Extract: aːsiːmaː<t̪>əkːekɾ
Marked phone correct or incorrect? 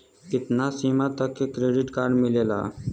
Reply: correct